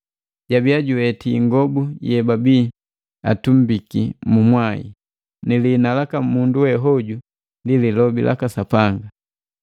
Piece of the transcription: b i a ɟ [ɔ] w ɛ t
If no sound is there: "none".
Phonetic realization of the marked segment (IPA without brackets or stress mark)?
u